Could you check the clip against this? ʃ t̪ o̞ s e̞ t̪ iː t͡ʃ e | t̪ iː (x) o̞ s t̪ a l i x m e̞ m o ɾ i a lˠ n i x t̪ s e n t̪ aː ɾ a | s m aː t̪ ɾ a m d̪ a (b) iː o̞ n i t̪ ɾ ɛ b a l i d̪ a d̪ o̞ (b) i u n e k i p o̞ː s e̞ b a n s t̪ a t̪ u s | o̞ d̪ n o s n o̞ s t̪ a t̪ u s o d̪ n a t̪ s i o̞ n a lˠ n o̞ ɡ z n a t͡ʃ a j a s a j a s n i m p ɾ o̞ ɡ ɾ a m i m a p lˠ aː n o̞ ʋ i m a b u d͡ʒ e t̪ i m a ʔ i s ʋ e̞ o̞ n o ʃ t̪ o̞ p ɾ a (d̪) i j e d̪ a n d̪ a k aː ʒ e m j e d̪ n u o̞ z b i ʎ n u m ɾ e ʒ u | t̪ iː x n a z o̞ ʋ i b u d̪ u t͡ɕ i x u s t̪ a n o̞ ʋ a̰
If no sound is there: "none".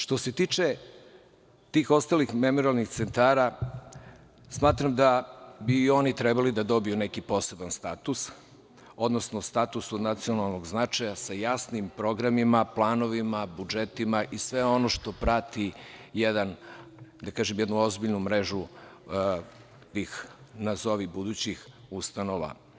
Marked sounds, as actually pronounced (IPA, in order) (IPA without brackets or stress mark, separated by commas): x, b, b, t̪